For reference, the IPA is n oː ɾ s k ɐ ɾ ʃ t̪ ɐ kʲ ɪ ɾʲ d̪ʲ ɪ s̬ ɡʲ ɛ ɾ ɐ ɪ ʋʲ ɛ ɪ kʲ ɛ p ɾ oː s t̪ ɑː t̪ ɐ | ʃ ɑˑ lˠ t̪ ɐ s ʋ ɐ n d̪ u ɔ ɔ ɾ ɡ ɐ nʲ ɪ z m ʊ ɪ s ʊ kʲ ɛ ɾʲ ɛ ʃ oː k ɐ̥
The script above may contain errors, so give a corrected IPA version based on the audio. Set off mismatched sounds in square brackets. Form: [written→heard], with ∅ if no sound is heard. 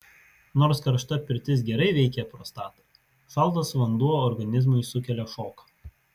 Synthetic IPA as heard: n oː ɾ s k ɐ ɾ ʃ t̪ ɐ [kʲ→pʲ] ɪ ɾʲ [d̪ʲ→t̪ʲ] ɪ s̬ ɡʲ ɛ ɾ ɐ ɪ ʋʲ ɛ ɪ kʲ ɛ p ɾ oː s t̪ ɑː t̪ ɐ | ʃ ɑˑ lˠ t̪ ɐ s ʋ ɐ n d̪ u ɔ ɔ ɾ ɡ ɐ nʲ ɪ z m ʊ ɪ s ʊ kʲ ɛ [ɾʲ→lʲ] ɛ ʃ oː k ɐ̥